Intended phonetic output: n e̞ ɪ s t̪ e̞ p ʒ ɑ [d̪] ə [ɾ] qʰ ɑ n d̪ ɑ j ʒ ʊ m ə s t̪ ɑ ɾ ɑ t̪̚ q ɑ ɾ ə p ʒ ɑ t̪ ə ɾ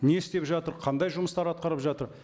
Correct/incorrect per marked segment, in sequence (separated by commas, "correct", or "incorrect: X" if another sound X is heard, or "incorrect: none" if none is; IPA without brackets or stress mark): incorrect: t̪, correct